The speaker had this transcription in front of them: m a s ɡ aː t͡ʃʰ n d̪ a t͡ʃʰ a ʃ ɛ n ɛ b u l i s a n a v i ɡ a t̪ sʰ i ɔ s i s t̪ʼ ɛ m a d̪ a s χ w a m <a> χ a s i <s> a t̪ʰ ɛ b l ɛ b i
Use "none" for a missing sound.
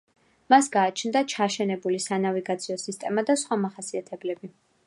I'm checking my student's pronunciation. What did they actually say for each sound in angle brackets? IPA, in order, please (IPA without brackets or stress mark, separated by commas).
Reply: a, none